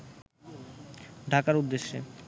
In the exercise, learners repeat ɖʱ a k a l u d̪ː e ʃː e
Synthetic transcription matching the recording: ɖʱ a k a ɾ u d̪ː e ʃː e